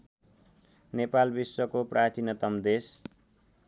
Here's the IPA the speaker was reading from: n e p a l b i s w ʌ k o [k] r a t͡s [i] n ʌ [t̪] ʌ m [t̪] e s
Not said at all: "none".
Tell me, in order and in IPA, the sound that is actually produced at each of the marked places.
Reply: p, i, t̪, d̪

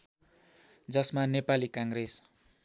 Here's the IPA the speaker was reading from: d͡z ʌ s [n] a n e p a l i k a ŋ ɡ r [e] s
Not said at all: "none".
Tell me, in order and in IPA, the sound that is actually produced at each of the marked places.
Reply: m, e

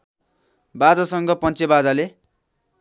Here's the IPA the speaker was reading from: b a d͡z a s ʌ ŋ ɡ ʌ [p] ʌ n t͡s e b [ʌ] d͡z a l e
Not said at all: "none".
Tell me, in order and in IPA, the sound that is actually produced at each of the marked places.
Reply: p, a

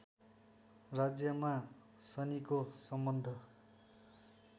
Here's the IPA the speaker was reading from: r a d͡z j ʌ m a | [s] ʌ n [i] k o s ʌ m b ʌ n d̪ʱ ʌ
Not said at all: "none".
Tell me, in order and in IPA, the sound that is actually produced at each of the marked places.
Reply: s, i

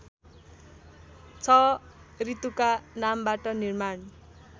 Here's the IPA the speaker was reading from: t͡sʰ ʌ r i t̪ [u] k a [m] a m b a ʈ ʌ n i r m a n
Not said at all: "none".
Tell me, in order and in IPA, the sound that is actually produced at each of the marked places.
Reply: u, n

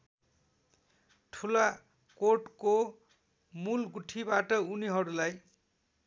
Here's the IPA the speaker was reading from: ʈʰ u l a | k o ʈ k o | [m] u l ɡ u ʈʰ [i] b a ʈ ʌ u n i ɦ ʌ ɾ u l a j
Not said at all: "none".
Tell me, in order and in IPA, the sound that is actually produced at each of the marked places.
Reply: m, i

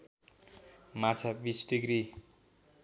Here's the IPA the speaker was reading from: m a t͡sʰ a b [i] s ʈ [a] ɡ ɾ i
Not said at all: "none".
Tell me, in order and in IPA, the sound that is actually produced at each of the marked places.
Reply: i, i

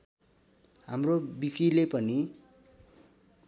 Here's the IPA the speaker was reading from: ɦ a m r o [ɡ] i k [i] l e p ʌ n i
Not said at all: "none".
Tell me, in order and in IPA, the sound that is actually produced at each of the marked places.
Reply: b, i

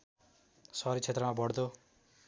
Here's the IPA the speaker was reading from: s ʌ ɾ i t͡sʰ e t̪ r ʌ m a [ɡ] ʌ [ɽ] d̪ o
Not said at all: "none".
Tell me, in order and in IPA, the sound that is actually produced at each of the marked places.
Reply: b, ɽ

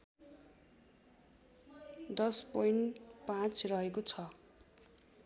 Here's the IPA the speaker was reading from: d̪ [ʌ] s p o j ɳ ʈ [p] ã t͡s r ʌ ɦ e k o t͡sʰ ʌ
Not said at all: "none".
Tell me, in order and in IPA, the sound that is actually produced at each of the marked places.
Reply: ʌ, p

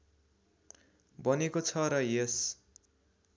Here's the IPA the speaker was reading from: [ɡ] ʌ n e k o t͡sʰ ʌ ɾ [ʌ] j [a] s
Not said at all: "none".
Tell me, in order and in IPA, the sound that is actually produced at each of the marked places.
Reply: b, ʌ, e

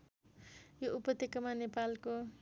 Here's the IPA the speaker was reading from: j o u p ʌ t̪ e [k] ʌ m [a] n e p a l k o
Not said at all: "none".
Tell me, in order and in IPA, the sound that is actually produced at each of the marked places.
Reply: k, a

